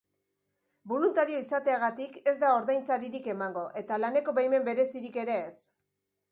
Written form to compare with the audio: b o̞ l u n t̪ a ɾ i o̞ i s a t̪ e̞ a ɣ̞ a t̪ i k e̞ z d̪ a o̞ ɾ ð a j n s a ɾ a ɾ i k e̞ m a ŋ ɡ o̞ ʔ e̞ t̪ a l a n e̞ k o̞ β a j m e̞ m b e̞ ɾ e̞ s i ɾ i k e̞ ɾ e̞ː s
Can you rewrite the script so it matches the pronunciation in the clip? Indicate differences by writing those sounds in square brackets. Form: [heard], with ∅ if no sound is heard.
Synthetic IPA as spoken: b o̞ l u n t̪ a ɾ i o̞ i s a t̪ e̞ a ɣ̞ a t̪ i k e̞ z d̪ a o̞ ɾ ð a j n [t͡s] a ɾ [i] ɾ i k e̞ m a ŋ ɡ o̞ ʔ e̞ t̪ a l a n e̞ k o̞ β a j m e̞ m b e̞ ɾ e̞ s i ɾ i k e̞ ɾ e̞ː s